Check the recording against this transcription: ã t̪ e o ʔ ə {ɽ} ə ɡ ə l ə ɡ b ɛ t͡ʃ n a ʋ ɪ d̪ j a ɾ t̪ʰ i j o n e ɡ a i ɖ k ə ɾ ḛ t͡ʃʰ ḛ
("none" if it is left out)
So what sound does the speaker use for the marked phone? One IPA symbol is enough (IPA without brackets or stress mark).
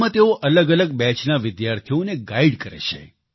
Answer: l